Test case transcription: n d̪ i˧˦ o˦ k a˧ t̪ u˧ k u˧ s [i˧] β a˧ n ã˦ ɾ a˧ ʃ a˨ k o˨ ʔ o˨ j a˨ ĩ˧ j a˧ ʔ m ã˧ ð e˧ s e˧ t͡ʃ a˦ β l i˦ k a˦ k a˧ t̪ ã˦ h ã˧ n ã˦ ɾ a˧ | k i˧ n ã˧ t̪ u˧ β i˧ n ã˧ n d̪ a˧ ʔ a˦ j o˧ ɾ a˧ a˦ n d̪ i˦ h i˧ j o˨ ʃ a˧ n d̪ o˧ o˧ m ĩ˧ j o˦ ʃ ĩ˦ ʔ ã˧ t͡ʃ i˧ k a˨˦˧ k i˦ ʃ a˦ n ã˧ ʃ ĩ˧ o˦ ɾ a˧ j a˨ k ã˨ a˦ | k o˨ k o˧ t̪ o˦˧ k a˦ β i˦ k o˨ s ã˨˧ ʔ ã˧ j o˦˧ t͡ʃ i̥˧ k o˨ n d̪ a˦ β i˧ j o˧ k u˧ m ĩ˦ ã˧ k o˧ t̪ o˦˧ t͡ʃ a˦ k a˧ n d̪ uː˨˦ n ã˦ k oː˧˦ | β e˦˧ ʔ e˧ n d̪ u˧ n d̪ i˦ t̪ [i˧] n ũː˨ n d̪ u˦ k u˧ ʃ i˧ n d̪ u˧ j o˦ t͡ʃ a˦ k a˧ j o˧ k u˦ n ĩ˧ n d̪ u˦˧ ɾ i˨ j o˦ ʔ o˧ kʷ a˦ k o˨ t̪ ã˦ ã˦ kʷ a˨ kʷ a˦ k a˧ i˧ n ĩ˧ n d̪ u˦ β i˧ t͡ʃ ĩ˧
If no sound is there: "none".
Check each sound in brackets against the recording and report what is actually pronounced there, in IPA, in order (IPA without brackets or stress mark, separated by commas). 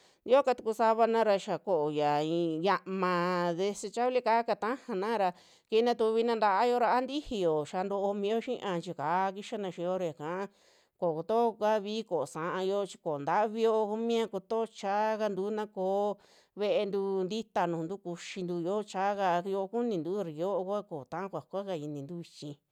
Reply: a˧, a˧